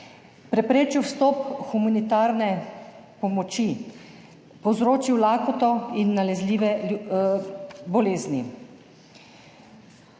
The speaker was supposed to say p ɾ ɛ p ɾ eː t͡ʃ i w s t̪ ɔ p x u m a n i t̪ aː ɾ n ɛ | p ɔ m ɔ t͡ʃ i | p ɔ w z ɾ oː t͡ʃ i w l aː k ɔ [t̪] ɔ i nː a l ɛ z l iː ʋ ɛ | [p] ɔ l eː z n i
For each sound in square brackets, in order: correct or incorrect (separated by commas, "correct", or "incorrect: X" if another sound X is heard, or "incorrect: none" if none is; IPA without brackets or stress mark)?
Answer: correct, incorrect: b